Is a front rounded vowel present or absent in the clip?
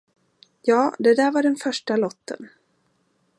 present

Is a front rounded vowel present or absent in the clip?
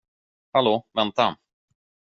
absent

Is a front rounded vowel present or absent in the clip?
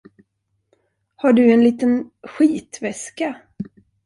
absent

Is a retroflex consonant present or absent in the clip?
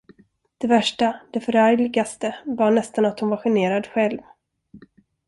present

